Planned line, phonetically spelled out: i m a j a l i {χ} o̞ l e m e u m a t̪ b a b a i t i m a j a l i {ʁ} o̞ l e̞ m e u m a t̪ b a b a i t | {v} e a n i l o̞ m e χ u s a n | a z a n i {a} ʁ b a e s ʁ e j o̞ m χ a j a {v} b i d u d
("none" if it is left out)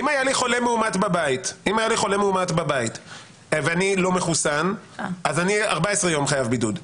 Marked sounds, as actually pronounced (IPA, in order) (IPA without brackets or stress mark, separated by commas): χ, χ, v, a, v